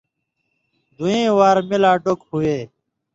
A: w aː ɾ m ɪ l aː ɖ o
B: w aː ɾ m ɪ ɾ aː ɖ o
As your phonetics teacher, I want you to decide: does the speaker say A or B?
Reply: A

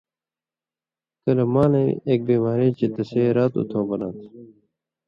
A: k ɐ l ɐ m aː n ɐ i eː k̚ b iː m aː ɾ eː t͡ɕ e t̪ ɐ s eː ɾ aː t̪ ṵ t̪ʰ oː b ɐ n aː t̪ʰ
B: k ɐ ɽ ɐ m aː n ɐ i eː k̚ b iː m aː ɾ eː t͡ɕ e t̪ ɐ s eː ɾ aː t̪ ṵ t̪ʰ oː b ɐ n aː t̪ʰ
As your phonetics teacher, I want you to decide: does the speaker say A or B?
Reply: A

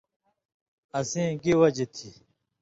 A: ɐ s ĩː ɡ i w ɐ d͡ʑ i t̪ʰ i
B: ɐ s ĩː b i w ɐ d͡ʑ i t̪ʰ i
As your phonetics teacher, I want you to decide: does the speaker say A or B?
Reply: A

